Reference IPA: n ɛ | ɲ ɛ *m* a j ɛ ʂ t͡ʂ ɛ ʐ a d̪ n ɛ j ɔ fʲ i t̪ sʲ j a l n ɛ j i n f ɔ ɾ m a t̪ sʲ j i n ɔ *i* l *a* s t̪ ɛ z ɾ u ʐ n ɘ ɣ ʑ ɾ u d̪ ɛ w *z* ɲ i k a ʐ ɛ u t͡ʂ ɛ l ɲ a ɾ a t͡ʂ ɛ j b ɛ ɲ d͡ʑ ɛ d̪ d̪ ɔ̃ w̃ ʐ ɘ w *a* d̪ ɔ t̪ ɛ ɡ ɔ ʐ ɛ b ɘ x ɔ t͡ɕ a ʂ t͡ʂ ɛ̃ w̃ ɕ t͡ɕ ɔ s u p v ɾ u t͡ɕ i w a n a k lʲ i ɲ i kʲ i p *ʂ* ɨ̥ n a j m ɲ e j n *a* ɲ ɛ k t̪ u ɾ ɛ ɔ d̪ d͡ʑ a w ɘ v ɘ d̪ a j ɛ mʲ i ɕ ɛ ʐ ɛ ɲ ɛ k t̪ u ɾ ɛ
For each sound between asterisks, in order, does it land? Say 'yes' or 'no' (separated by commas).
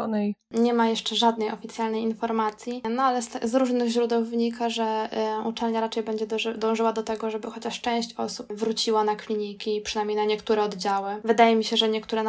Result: yes, no, no, no, yes, yes, yes